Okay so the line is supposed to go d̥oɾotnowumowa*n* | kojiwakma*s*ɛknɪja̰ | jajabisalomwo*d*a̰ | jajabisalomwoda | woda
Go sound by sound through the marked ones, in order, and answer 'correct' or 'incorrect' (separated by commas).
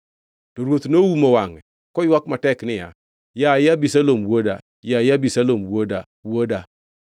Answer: incorrect, incorrect, correct